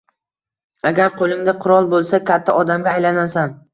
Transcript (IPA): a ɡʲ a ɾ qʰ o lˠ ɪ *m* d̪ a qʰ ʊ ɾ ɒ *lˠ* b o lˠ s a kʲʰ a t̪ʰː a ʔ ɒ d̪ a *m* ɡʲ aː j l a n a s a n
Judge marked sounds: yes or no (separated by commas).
no, yes, yes